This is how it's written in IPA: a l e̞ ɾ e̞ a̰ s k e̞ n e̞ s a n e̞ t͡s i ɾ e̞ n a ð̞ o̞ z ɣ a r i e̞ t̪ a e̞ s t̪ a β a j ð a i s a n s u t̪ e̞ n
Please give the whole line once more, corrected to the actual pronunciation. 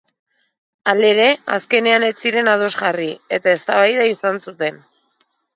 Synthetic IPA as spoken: a l e̞ ɾ e̞ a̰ s k e̞ n e̞ a n e̞ t͡s i ɾ e̞ n a ð̞ o̞ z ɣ a r i e̞ t̪ a e̞ s t̪ a β a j ð a i s a n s u t̪ e̞ n